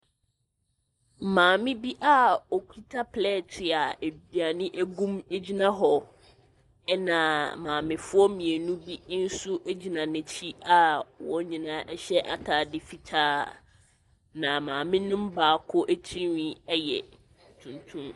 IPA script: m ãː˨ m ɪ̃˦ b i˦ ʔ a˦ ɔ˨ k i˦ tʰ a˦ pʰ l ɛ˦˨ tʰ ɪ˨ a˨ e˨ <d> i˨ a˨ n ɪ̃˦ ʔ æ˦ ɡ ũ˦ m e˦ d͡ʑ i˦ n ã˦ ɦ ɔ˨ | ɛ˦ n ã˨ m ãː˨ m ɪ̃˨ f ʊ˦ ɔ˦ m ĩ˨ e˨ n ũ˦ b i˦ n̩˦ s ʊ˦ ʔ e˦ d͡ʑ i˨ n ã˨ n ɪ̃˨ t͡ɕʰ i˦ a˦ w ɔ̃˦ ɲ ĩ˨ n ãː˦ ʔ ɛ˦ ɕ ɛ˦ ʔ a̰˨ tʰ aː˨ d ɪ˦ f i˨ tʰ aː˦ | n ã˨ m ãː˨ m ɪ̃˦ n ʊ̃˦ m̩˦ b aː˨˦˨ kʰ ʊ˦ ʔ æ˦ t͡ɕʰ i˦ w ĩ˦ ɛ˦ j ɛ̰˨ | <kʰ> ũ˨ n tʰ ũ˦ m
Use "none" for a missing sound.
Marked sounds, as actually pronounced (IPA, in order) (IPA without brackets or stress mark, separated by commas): b, tʰ